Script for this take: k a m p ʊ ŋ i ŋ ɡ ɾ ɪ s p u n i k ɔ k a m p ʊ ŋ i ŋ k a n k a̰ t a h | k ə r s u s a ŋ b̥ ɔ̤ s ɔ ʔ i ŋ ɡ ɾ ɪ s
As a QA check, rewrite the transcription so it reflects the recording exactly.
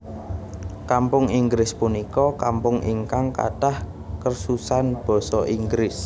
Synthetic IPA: k a m p ʊ ŋ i ŋ ɡ ɾ ɪ s p u n i k ɔ k a m p ʊ ŋ i ŋ k a ŋ k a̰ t a h | k ə r s u s a n b̥ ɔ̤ s ɔ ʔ i ŋ ɡ ɾ ɪ s